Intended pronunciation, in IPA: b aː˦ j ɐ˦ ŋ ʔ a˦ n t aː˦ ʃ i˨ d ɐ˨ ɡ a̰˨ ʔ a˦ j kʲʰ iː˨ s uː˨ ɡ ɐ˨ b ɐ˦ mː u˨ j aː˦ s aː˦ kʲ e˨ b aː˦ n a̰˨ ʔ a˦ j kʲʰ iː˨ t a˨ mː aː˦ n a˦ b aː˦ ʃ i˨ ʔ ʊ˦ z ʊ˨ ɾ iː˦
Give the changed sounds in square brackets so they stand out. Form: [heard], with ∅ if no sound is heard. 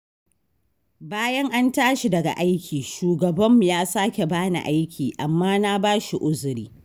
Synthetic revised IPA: b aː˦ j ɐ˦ ŋ ʔ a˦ n t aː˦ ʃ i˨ d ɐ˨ ɡ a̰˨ ʔ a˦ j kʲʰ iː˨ [ʃ] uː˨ ɡ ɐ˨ b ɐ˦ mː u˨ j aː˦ s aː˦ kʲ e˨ b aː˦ n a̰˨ ʔ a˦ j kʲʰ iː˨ [ʔ] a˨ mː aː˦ n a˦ b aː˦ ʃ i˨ ʔ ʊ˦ z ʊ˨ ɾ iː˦